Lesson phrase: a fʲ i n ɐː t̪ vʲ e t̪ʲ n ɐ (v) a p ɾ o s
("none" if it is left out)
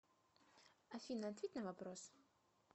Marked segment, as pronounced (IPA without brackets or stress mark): v